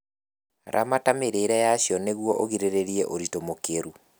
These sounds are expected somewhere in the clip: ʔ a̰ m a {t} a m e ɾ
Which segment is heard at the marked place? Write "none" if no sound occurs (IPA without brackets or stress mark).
t